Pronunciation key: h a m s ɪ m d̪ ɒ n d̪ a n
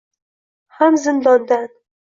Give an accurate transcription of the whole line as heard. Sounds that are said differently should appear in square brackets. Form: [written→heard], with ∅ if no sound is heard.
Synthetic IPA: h a m [s→z] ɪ [m→n] d̪ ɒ n d̪ a n